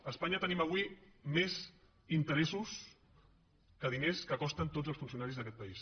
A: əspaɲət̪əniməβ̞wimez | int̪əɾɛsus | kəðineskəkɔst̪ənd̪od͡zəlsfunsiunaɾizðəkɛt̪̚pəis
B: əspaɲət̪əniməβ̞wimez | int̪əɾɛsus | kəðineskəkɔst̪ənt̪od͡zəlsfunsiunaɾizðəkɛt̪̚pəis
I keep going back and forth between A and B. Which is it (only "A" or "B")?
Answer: B